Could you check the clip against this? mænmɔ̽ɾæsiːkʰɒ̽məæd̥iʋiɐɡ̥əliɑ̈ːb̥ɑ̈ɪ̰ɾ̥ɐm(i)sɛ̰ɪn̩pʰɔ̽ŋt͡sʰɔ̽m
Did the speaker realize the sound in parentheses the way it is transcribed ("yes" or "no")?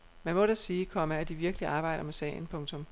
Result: no